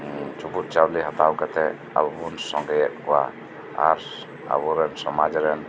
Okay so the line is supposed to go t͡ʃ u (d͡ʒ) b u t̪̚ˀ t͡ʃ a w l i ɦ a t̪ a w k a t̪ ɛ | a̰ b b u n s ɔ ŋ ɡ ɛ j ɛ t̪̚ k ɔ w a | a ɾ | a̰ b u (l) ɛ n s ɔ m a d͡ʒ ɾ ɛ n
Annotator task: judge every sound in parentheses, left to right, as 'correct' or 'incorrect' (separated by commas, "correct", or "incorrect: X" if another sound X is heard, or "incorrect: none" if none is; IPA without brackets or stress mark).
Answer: incorrect: none, incorrect: ɾ